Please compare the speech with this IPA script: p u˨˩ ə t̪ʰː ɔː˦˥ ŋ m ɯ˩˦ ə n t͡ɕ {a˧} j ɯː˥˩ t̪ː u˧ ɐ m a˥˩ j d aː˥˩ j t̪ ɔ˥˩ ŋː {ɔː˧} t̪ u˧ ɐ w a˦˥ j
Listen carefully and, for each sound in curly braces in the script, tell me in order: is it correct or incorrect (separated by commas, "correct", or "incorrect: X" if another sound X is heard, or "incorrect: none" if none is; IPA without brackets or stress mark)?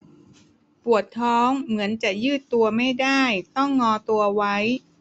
incorrect: a˨˩, correct